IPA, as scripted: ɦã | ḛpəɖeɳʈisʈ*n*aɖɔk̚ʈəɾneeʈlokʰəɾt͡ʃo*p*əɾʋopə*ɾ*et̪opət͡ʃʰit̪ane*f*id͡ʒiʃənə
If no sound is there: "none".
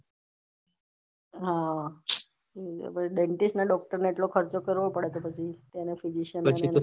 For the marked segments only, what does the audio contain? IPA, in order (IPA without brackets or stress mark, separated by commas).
n, k, ɽ, f